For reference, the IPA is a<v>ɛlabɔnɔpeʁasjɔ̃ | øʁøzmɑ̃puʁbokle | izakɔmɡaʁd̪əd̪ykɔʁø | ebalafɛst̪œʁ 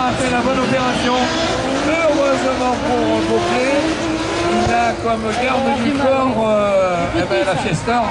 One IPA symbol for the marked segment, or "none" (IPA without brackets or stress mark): f